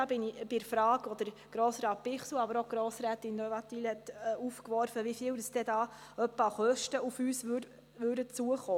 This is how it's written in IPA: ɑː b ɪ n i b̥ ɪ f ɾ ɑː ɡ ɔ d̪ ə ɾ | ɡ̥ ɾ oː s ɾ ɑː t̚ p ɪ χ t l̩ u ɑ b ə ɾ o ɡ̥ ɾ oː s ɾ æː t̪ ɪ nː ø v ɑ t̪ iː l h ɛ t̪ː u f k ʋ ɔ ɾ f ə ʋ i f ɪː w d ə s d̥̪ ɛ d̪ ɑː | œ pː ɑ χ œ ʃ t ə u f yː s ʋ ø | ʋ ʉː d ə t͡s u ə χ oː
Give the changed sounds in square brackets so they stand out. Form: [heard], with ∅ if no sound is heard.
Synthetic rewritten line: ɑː b ɪ n i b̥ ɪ f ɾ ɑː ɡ ɔ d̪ ə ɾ | ɡ̥ ɾ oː s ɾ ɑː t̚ p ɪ χ [s] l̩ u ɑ b ə ɾ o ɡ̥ ɾ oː s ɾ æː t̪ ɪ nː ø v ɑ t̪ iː l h ɛ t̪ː u f k ʋ ɔ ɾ f ə ʋ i f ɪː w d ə s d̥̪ ɛ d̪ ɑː | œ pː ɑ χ œ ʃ t ə u f yː s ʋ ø | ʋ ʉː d ə t͡s u ə χ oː